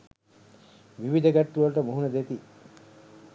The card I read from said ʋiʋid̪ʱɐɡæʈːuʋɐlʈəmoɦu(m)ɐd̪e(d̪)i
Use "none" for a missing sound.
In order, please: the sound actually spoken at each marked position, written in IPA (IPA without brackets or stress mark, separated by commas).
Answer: n, t̪